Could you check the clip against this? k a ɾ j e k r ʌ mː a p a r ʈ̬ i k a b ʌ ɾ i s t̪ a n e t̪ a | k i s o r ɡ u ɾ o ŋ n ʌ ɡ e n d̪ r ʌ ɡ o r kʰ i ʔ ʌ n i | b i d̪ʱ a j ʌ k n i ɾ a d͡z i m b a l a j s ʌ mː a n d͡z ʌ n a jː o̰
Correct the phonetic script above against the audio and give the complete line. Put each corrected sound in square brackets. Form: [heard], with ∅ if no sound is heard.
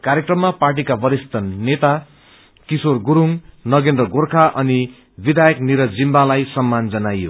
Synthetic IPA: k a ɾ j e k r ʌ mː a p a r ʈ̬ i k a b ʌ ɾ i s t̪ [ʌ] n e t̪ a | k i s o r ɡ u ɾ [u] ŋ n ʌ ɡ e n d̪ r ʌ ɡ o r kʰ [a] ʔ ʌ n i | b i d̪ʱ a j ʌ k n i ɾ [ʌ] d͡z i m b a l a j s ʌ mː a n d͡z ʌ n a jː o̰